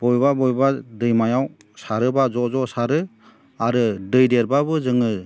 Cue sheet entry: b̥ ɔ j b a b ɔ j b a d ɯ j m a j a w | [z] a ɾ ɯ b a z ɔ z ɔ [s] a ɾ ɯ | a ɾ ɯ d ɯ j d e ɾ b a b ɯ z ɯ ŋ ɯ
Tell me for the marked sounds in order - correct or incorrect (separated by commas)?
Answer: incorrect, correct